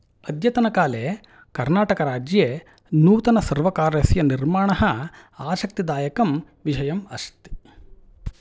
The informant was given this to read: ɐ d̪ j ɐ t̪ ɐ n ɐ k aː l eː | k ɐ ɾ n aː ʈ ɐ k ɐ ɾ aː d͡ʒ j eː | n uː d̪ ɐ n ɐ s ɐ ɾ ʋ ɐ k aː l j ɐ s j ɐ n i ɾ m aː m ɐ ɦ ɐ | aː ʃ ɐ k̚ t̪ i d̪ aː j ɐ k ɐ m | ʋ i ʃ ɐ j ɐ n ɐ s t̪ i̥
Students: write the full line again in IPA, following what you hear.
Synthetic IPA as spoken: ɐ d̪ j ɐ t̪ ɐ n ɐ k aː l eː | k ɐ ɾ n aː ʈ ɐ k ɐ ɾ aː d͡ʒ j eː | n uː t̪ ɐ n ɐ s ɐ ɾ ʋ ɐ k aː ɾ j ɐ s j ɐ n i ɾ m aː ɳ ɐ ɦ ɐ | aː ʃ ɐ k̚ t̪ i d̪ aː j ɐ k ɐ m | ʋ i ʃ ɐ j ɐ m ɐ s t̪ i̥